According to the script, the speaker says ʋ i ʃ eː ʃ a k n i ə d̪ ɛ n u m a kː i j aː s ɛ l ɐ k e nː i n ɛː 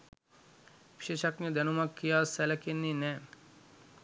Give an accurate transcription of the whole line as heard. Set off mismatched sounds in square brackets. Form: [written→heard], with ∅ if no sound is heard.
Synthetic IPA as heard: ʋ i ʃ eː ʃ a k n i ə d̪ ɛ n u m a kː i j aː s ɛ l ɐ k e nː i n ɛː